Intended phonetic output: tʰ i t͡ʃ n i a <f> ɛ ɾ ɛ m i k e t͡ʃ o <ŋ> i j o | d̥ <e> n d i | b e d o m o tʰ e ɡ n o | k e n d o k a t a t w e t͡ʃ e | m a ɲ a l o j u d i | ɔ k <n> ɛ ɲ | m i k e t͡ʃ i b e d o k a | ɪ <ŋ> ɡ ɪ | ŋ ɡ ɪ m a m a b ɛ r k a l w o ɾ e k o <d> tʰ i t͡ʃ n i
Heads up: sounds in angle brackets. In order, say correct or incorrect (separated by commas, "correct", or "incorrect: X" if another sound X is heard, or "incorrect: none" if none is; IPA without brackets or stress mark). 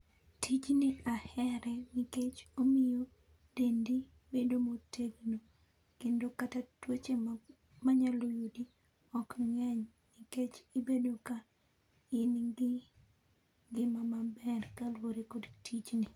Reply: incorrect: h, incorrect: m, correct, incorrect: ŋ, incorrect: n, correct